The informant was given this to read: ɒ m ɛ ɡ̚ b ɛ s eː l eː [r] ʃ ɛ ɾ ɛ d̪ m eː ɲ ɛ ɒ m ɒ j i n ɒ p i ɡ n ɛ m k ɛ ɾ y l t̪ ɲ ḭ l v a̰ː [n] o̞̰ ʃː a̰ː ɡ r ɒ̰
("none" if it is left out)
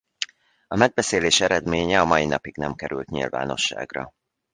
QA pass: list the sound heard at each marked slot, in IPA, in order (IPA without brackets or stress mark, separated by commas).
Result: none, n